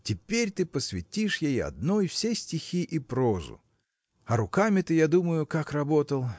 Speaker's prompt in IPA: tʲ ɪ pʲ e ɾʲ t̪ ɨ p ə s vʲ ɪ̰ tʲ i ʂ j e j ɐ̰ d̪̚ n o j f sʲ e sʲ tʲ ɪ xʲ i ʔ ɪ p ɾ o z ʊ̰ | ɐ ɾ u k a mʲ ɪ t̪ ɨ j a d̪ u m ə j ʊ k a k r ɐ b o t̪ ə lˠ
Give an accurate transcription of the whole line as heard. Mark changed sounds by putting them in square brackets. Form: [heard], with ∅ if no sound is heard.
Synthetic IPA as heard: tʲ ɪ pʲ e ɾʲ t̪ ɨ p ə s vʲ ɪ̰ tʲ i ʂ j e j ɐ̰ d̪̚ n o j f sʲ e sʲ tʲ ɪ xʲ i ʔ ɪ p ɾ o z ʊ̰ | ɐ ɾ [ʊ] k a mʲ ɪ t̪ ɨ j a d̪ u m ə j ʊ k a k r ɐ b o t̪ ə lˠ